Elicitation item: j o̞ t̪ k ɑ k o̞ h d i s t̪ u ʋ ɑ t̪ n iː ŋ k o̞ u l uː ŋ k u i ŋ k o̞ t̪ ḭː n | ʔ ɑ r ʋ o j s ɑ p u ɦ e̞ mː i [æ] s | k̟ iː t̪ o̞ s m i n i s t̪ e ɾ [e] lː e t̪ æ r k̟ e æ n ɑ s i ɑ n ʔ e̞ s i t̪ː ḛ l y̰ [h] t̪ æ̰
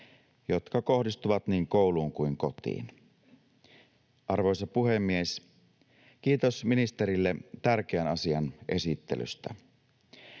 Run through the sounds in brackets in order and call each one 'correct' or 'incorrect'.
incorrect: e, incorrect: i, incorrect: s

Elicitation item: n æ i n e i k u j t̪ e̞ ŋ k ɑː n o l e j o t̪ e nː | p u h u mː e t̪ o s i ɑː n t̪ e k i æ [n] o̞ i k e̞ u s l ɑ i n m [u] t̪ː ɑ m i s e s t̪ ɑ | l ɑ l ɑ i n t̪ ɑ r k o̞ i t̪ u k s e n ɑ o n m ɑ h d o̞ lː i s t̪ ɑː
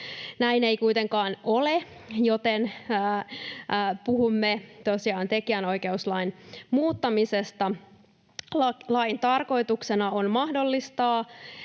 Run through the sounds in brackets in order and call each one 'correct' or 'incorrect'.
correct, incorrect: uː

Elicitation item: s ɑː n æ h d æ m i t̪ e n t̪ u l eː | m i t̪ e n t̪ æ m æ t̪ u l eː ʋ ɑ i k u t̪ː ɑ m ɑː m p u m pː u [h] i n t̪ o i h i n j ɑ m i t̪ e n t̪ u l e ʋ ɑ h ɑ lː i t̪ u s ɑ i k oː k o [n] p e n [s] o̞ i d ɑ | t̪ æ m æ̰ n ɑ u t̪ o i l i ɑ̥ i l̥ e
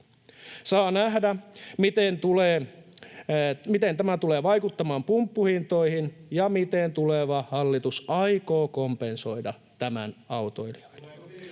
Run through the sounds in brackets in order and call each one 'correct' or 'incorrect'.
correct, incorrect: m, correct

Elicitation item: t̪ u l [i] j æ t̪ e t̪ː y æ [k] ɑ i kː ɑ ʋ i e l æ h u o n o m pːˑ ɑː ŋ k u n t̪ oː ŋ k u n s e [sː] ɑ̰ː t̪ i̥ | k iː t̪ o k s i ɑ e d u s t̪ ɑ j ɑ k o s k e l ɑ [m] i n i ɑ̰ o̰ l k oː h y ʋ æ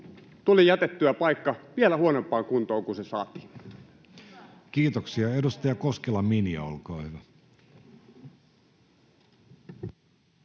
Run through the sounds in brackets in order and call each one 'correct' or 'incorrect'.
correct, incorrect: p, incorrect: s, correct

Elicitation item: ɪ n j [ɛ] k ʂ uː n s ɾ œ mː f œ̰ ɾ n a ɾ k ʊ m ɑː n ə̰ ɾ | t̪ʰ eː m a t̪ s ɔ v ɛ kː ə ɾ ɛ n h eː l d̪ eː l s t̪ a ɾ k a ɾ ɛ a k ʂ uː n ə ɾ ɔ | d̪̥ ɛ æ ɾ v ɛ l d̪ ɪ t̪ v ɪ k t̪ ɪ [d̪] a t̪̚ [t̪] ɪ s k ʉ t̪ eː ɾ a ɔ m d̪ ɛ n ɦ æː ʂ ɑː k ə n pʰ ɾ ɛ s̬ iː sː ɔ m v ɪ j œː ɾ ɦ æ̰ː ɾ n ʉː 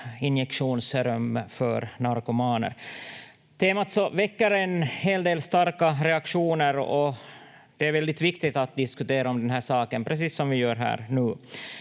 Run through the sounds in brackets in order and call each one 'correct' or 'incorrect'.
correct, incorrect: t̪, incorrect: d̪

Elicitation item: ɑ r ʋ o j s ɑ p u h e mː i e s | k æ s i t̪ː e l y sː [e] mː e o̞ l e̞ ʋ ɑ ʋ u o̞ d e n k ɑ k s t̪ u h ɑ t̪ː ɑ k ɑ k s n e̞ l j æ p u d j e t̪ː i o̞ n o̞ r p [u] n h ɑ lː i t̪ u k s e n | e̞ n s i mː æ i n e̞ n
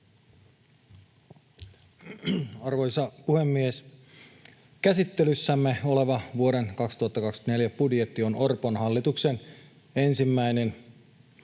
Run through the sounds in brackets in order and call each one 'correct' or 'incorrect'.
incorrect: æ, incorrect: o

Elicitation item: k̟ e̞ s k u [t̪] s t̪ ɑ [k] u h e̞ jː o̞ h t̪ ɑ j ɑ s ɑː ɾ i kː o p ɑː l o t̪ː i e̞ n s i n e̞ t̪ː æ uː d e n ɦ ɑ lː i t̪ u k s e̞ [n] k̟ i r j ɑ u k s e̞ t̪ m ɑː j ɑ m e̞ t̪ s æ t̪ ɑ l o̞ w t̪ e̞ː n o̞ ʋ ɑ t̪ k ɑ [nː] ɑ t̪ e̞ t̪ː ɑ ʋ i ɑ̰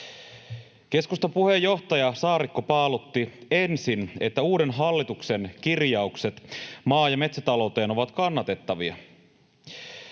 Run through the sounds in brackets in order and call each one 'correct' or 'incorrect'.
incorrect: none, incorrect: p, correct, correct

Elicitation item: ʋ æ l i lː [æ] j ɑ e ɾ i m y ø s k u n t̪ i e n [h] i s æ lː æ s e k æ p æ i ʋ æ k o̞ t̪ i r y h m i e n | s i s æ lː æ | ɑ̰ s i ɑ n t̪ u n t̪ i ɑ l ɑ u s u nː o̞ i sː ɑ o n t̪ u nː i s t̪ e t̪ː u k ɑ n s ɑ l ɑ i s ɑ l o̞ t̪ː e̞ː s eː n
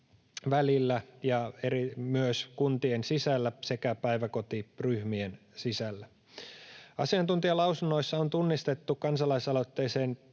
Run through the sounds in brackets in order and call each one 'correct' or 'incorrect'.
correct, incorrect: s

